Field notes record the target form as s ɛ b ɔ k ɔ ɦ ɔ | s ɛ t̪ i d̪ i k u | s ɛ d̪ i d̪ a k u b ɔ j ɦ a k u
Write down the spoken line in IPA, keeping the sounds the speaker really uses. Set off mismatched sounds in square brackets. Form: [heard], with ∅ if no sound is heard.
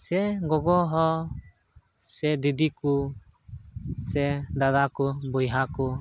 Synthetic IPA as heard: s ɛ [ɡ] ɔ [ɡ] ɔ ɦ ɔ | s ɛ [d̪] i d̪ i k u | s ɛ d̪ [a] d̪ a k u b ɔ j ɦ a k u